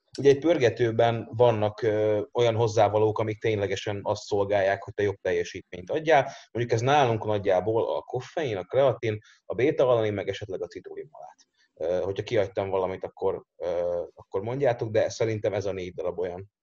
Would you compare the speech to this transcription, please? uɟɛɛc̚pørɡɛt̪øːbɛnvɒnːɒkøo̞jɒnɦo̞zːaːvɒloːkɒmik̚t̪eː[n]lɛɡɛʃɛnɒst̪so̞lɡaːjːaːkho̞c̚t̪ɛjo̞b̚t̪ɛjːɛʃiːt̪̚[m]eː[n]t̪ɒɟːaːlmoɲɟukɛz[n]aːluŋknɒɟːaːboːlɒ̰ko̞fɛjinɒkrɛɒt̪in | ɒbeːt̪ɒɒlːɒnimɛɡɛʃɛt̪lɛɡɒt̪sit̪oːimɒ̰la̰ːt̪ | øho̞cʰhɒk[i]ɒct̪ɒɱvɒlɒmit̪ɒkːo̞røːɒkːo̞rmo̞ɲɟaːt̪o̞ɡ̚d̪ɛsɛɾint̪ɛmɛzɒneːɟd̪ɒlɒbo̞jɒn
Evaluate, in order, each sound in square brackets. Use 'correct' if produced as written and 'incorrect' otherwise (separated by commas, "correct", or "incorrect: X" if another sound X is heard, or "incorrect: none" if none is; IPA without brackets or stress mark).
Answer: incorrect: ɲ, correct, incorrect: ɲ, correct, correct